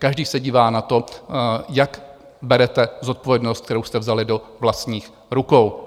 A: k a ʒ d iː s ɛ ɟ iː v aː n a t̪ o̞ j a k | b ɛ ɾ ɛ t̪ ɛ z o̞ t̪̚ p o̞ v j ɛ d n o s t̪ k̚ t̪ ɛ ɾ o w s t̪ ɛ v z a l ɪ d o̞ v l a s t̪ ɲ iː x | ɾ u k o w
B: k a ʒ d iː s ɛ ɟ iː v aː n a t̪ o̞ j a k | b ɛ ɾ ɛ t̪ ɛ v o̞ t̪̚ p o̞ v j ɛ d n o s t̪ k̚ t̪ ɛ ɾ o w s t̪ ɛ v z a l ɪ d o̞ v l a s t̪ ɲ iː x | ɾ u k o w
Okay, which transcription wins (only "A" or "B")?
A